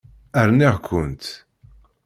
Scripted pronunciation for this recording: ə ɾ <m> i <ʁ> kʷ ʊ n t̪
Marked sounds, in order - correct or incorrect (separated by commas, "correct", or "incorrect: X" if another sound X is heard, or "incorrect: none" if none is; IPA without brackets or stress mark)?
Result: incorrect: n, correct